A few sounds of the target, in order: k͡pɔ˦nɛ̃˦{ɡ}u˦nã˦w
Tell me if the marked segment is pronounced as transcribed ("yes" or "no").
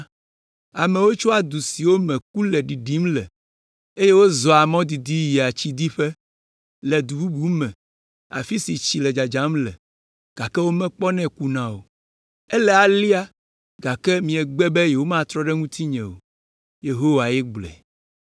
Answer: no